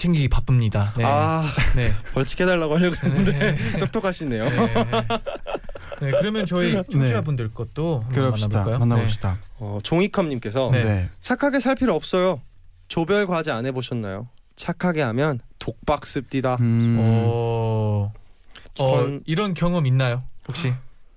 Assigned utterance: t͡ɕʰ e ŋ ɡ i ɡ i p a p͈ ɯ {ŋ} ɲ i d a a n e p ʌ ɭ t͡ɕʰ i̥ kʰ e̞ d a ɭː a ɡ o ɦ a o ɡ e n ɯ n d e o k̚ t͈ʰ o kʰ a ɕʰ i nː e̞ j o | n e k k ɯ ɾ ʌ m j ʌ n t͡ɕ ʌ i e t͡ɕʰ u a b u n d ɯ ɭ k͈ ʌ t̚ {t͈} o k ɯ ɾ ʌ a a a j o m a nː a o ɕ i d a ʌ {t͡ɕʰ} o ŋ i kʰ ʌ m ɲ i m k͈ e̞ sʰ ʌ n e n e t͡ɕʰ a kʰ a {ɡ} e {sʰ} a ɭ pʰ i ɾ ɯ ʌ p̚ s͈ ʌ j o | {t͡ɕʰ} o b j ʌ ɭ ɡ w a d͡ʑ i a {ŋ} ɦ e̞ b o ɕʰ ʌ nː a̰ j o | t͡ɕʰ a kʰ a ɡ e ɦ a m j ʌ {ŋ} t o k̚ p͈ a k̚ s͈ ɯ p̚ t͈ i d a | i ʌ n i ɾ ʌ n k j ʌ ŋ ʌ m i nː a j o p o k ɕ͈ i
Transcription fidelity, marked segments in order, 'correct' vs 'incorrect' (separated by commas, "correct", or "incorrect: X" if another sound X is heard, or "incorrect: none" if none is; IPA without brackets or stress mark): incorrect: m, correct, incorrect: t͡ɕ, correct, correct, incorrect: t͡ɕ, incorrect: n, incorrect: n